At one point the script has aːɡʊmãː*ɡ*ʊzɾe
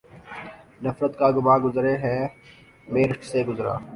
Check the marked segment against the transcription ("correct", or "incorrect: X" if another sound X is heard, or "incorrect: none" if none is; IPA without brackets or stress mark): correct